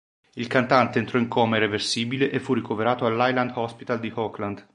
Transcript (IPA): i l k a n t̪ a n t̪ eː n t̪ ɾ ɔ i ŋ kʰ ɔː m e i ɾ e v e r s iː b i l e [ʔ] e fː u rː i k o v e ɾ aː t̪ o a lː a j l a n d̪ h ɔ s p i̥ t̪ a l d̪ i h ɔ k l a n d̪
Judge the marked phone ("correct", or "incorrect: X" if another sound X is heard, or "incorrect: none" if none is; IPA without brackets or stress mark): correct